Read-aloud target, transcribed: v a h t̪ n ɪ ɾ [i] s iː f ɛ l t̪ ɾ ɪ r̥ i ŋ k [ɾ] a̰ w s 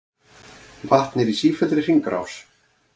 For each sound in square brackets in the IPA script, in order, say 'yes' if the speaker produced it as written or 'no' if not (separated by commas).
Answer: yes, yes